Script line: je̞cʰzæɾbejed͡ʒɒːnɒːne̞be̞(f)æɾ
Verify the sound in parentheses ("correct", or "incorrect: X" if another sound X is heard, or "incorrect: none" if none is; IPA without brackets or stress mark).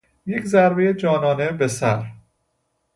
incorrect: s